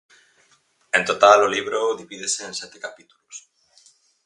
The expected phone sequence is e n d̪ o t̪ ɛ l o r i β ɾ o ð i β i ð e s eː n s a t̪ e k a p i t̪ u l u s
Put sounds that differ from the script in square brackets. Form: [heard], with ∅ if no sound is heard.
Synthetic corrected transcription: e n [t̪] o t̪ [a] l o [l] i β ɾ o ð i β i ð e s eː n s [ɛ] t̪ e k a p i t̪ u l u s

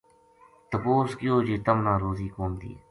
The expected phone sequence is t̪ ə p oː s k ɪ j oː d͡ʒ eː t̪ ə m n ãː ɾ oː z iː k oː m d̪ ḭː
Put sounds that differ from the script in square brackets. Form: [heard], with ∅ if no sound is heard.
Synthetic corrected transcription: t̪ ə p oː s k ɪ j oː d͡ʒ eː t̪ ə m n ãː ɾ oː z iː k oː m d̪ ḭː

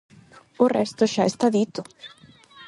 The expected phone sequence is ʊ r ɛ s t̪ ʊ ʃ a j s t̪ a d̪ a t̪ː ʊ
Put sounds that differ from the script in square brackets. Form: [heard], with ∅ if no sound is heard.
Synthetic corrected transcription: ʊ r ɛ s t̪ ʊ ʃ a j s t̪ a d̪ [i] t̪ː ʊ

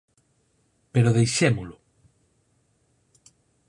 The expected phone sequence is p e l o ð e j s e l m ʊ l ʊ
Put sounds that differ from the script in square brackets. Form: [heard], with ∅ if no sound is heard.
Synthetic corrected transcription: p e [ɾ] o ð e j [ʃ] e [∅] m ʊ l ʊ

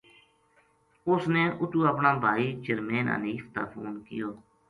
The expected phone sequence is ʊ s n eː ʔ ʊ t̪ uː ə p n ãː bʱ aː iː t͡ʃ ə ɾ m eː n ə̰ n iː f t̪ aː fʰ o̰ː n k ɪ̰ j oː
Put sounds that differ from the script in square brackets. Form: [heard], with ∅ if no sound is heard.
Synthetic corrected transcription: ʊ s n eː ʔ ʊ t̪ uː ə p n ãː bʱ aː iː t͡ʃ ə ɾ m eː n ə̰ n iː f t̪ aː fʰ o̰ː n k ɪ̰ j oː

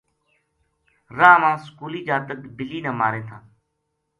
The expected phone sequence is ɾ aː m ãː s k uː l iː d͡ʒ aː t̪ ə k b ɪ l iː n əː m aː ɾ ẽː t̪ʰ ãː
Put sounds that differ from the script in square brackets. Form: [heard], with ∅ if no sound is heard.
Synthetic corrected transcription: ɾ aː m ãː s k uː l iː d͡ʒ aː t̪ ə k b ɪ l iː n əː m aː ɾ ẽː t̪ʰ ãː

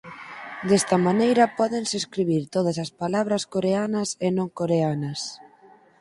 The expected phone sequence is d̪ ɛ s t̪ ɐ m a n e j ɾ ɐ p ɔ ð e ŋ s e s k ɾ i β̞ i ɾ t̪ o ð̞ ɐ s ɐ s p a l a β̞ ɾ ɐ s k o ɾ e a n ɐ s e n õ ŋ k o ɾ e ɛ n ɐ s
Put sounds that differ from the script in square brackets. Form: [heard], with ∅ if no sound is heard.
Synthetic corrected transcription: d̪ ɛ s t̪ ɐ m a n e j ɾ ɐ p ɔ ð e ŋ s e s k ɾ i β̞ i ɾ t̪ o ð̞ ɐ s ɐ s p a l a β̞ ɾ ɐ s k o ɾ e a n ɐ s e n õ ŋ k o ɾ e [a] n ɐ s

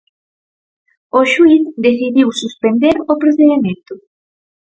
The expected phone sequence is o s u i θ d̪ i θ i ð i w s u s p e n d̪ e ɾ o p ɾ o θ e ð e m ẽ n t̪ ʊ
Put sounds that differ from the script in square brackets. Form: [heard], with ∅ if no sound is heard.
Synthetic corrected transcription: o [ʃ] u i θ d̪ [e] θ i ð i w s u s p e n d̪ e ɾ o p ɾ o θ e ð e m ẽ n t̪ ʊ

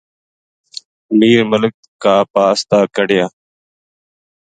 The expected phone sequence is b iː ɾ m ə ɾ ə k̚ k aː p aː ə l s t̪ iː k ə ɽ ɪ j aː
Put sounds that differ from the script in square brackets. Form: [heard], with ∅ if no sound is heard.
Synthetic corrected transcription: [m] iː ɾ m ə [l] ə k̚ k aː p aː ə [∅] s t̪ [aː] k ə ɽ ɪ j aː

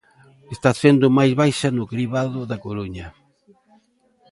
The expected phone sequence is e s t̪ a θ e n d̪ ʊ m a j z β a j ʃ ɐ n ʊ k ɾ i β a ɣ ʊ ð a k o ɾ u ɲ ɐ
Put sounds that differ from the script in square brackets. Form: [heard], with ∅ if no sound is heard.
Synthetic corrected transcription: e s t̪ a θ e n d̪ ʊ m a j z β a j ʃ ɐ n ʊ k ɾ i β a [ð] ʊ ð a k o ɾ u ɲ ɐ

